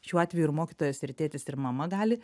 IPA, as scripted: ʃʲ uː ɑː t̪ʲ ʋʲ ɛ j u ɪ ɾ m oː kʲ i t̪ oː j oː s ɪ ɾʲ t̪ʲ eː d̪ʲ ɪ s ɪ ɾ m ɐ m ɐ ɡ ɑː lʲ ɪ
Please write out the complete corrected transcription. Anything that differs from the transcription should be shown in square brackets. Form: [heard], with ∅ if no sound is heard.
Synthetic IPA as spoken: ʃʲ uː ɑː t̪ʲ ʋʲ ɛ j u ɪ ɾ m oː kʲ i t̪ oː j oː s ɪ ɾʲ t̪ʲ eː [t̪ʲ] ɪ s ɪ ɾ m ɐ m ɐ ɡ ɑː lʲ ɪ